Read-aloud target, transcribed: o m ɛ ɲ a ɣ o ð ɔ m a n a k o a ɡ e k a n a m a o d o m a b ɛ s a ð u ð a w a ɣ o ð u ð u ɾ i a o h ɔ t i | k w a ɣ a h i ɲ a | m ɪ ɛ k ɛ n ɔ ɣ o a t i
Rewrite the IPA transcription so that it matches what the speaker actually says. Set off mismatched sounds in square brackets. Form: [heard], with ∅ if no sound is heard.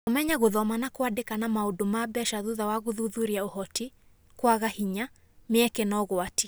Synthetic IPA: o m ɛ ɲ a ɣ o ð ɔ m a n a k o a [d] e k a n a m a o d o m a b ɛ [ʃ] a ð u ð a w a ɣ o ð u ð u ɾ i a o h ɔ t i | k w a ɣ a h i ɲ a | m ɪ ɛ k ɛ n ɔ ɣ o a t i